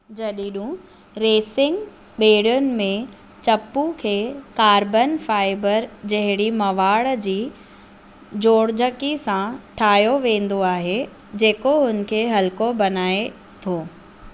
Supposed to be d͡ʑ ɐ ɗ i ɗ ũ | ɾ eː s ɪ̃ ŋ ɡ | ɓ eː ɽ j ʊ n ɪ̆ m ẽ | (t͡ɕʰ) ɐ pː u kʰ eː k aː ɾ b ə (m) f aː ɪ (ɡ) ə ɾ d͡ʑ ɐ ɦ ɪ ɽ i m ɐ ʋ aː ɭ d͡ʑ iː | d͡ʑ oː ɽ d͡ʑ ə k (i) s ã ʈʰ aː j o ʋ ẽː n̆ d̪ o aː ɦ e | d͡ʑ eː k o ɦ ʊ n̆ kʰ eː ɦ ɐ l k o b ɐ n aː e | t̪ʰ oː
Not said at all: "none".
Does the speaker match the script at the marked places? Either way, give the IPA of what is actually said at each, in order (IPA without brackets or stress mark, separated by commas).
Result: t͡ɕ, n, b, i